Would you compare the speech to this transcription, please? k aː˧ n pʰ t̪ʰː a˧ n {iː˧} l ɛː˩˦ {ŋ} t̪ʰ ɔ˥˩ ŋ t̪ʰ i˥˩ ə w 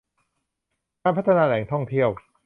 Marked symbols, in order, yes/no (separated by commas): no, yes